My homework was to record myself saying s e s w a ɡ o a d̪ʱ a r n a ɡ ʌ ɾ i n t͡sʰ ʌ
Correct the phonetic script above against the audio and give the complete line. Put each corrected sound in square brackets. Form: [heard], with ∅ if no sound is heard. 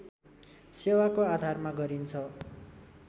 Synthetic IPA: s e [∅] w a [k] o a d̪ʱ a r [m] a ɡ ʌ ɾ i n t͡sʰ ʌ